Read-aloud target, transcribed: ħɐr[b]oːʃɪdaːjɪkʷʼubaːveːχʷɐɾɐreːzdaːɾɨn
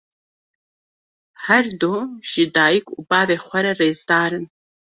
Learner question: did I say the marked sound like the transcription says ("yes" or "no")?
no